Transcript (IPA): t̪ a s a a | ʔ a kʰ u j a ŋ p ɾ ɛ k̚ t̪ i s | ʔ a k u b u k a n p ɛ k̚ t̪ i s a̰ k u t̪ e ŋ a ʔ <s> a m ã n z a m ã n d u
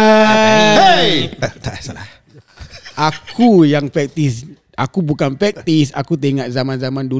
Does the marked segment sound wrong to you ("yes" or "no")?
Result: yes